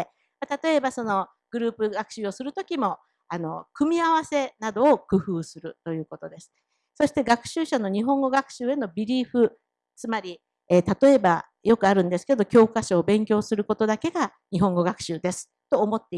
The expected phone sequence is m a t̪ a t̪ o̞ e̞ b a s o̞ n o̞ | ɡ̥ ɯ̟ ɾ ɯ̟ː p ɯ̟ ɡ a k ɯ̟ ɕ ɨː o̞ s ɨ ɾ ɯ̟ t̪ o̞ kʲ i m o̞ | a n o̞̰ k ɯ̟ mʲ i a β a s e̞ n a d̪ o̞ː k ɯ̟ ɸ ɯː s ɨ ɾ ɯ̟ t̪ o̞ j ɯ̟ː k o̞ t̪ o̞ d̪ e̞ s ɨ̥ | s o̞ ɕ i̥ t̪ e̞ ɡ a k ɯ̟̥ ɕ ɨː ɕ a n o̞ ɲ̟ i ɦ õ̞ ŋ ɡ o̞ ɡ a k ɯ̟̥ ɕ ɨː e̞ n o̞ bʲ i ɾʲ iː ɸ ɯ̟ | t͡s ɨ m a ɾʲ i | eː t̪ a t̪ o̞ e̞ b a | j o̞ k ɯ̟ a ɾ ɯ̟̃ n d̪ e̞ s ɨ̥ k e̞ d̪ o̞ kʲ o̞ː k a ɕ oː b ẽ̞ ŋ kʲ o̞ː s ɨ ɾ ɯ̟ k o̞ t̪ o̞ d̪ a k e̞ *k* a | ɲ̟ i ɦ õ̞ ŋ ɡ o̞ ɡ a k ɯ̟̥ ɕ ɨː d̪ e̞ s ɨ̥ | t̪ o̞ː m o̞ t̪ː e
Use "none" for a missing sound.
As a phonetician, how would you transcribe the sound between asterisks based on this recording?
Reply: ɡ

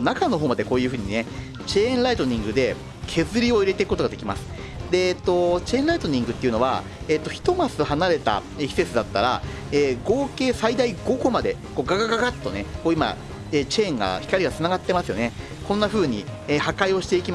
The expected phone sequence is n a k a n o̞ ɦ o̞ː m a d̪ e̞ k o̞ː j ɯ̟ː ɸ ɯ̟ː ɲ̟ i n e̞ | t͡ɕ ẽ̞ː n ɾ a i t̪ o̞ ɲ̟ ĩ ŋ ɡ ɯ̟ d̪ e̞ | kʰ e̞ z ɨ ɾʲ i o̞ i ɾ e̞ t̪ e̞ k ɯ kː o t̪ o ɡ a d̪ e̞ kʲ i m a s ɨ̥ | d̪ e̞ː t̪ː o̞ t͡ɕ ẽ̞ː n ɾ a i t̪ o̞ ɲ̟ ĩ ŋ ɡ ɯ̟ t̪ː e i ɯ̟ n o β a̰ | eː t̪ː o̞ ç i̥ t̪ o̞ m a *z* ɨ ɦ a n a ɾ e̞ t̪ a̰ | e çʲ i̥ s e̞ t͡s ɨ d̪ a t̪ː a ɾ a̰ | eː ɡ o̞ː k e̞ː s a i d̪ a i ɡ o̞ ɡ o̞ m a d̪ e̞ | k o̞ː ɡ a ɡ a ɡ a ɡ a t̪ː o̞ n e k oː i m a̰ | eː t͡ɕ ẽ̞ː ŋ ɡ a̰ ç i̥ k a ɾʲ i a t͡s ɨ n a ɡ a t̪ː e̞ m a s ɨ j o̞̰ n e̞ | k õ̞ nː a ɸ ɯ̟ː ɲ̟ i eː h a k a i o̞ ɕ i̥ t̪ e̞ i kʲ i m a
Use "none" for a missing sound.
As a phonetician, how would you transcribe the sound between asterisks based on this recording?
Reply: s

